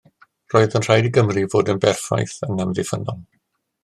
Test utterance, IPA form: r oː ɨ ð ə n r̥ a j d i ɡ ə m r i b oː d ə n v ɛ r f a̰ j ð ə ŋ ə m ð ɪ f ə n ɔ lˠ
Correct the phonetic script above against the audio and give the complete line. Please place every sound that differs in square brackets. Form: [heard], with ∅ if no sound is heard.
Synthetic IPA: r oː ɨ ð ə n r̥ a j d i ɡ ə m r i [v] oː d ə n [b] ɛ r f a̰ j [θ] ə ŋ ə m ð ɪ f ə n ɔ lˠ